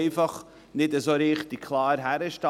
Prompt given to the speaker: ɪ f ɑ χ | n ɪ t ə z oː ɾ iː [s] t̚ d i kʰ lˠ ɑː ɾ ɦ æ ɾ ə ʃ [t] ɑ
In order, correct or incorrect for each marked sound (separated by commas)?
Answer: incorrect, correct